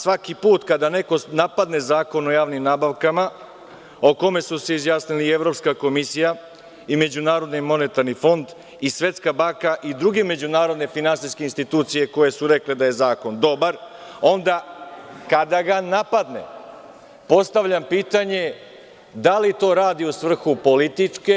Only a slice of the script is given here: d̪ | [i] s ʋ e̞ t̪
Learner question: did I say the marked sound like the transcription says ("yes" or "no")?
yes